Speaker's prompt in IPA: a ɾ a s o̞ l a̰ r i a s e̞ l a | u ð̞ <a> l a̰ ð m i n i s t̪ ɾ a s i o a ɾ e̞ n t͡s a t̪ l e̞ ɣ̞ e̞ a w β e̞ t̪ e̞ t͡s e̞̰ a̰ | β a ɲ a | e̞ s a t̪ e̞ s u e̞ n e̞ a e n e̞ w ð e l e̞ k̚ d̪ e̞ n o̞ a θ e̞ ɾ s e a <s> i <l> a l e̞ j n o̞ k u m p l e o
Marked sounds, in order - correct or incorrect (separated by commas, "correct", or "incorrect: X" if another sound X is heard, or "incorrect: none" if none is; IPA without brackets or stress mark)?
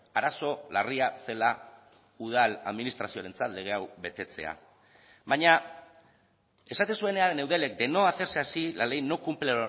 correct, correct, correct